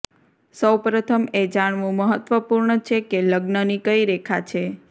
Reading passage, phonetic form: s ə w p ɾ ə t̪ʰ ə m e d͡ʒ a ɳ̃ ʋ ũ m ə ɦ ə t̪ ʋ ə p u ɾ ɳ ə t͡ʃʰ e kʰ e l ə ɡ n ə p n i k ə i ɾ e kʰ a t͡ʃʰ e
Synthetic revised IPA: s ə w p ɾ ə t̪ʰ ə m e d͡ʒ a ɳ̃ ʋ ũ m ə ɦ ə t̪ ʋ ə p u ɾ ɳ ə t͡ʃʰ e k e l ə ɡ n ə n i k ə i ɾ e kʰ a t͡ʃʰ e